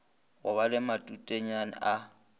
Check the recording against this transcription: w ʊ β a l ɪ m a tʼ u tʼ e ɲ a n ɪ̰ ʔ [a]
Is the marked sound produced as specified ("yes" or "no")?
yes